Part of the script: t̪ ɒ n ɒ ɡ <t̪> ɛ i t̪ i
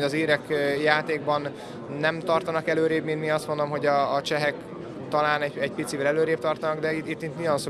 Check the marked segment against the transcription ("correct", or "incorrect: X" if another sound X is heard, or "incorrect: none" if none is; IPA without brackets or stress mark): incorrect: d̪